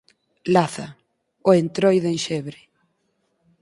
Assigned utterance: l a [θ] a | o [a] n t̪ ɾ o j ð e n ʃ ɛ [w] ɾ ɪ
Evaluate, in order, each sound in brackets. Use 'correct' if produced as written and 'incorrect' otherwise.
correct, incorrect, incorrect

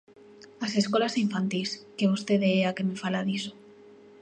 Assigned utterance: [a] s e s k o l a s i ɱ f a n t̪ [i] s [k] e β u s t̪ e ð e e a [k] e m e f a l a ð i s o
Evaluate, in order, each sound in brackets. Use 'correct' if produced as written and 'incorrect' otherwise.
correct, correct, correct, correct

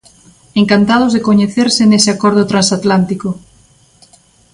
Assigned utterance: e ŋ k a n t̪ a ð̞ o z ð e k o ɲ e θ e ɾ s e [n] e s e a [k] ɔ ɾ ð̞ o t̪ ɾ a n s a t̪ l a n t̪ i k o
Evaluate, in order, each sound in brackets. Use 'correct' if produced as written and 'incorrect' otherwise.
correct, correct

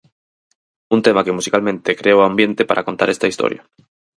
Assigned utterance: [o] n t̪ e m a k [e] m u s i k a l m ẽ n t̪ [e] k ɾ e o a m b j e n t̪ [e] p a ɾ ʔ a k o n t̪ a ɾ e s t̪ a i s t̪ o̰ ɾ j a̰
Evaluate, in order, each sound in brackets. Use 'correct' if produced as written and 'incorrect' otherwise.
incorrect, correct, correct, correct

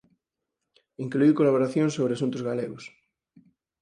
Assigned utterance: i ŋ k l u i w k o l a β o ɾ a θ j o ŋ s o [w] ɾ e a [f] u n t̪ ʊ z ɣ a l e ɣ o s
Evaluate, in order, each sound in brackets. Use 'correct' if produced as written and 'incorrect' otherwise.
incorrect, incorrect

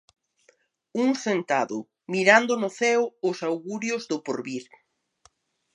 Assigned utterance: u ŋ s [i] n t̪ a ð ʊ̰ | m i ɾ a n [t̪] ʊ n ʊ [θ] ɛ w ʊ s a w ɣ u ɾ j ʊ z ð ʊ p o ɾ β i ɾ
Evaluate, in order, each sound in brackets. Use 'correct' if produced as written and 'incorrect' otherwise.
incorrect, incorrect, correct

